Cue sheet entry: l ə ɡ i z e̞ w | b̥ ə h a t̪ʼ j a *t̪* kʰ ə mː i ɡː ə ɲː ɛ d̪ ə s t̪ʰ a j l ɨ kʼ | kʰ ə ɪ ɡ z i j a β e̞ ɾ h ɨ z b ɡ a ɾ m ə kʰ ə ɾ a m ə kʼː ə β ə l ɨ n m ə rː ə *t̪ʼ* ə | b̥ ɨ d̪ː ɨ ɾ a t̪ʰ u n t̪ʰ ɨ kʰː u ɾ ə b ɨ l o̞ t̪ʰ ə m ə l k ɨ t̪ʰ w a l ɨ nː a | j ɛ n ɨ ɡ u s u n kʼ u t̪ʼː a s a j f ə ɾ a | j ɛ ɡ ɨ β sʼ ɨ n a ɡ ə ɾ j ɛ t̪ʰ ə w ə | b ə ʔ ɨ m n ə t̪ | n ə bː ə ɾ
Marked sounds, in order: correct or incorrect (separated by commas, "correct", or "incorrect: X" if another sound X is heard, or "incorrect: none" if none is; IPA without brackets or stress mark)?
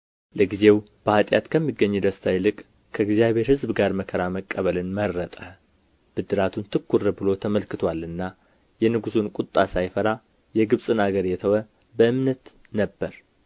correct, correct